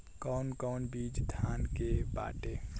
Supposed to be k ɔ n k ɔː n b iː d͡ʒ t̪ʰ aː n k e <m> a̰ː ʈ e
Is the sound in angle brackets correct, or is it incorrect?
incorrect